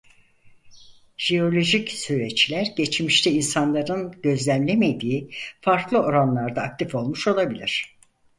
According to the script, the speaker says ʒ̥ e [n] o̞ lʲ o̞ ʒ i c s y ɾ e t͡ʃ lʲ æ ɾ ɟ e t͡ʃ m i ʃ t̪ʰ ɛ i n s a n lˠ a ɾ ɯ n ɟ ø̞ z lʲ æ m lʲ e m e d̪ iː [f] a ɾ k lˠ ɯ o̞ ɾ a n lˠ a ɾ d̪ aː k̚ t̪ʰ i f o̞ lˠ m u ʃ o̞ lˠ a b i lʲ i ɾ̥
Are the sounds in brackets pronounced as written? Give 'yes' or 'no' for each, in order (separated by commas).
no, yes